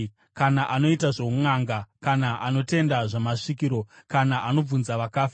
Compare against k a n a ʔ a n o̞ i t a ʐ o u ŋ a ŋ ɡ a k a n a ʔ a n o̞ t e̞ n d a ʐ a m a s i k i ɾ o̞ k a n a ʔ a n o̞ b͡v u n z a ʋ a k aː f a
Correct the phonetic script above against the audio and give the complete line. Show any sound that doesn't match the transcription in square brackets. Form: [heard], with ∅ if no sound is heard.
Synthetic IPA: k a n a ʔ a n o̞ i t a ʐ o u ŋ a ŋ ɡ a k a n a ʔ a n o̞ t e̞ n d a ʐ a m a [ʂ] i k i ɾ o̞ k a n a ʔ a n o̞ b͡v u n z a ʋ a k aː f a